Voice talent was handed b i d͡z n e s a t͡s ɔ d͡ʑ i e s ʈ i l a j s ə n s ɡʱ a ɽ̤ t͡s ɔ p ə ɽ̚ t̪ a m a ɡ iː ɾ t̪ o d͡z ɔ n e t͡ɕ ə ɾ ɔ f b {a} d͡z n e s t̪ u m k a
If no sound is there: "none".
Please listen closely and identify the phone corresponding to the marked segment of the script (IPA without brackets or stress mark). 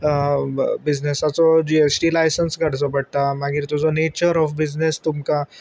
i